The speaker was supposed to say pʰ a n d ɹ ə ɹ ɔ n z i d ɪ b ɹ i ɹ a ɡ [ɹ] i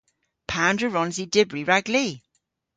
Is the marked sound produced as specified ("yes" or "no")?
no